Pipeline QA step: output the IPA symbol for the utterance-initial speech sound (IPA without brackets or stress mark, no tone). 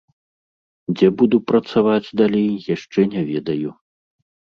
d͡zʲ